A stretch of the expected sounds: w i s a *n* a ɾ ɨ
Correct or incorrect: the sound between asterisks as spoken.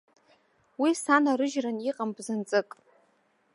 correct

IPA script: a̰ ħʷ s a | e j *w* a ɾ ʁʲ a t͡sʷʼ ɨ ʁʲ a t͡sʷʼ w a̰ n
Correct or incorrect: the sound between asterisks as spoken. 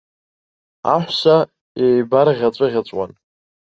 incorrect: b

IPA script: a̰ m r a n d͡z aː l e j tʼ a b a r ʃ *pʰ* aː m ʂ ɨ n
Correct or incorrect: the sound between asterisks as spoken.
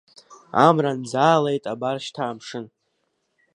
incorrect: tʰ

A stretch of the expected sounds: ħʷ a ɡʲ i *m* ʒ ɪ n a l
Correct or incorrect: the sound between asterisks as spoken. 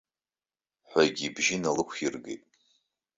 incorrect: b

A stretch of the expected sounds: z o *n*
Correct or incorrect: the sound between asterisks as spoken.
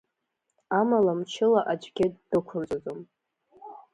incorrect: m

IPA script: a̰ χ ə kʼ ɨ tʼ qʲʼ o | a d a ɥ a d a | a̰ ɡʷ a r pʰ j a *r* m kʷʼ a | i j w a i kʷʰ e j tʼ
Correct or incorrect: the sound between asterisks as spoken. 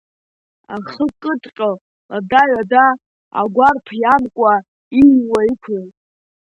incorrect: none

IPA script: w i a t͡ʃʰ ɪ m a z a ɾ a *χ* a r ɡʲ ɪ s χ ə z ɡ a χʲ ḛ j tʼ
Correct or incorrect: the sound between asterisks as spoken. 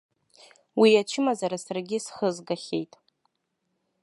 incorrect: s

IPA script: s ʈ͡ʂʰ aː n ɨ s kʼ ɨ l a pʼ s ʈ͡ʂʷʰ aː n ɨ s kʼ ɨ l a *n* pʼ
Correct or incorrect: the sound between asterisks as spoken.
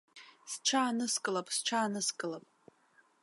incorrect: none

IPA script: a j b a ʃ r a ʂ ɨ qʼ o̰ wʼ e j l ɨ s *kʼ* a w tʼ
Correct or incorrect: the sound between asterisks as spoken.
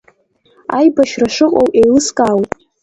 correct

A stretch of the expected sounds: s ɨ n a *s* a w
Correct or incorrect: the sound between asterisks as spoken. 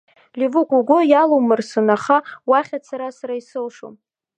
incorrect: χ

